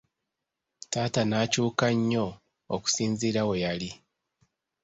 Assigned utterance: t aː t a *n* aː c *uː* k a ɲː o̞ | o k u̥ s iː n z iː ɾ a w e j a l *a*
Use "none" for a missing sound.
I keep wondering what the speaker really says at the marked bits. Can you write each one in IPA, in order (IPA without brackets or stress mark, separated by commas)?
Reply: n, uː, i